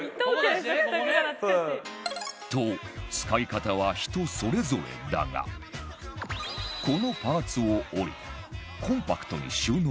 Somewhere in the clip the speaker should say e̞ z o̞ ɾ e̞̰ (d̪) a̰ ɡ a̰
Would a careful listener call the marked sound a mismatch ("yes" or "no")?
no